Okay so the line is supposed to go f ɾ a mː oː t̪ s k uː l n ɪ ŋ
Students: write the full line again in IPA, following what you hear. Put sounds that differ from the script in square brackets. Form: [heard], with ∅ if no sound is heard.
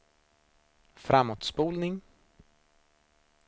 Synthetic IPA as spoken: f ɾ a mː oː t̪ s [p] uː l n ɪ ŋ